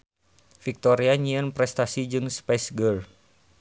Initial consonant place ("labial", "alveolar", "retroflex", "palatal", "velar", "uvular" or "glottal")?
labial